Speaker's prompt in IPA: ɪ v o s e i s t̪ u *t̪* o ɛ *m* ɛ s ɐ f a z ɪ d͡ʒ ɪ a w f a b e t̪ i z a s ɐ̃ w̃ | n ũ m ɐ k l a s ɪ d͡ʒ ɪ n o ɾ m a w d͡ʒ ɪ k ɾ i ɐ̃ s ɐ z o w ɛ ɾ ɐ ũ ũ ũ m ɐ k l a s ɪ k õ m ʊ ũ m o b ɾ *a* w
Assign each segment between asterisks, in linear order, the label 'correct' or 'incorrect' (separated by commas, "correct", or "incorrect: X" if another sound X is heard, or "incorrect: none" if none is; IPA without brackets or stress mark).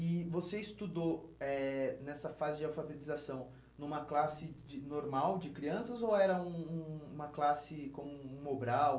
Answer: incorrect: d̪, incorrect: n, correct